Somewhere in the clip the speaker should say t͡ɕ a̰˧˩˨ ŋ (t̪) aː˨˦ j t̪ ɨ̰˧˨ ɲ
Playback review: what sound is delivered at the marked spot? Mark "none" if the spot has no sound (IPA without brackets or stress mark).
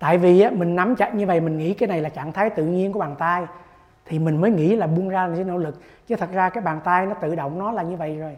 t̪ʰ